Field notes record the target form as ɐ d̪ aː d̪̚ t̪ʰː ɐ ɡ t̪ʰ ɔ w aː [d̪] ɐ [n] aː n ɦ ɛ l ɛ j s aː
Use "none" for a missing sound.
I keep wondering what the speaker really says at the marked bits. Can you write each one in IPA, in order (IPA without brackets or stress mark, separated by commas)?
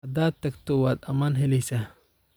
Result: d̪, m